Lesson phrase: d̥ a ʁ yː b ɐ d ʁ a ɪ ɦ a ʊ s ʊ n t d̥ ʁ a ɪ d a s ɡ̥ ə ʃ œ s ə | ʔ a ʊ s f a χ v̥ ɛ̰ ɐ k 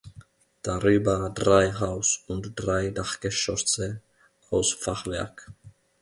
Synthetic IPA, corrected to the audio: d̥ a ʁ yː b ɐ d ʁ a ɪ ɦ a ʊ s ʊ n t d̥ ʁ a ɪ d a χ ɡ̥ ə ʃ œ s ə | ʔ a ʊ s f a χ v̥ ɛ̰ ɐ k